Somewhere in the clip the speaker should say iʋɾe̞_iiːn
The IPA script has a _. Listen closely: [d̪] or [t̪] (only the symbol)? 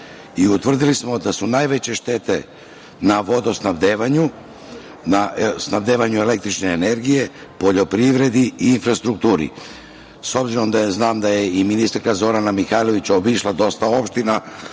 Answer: d̪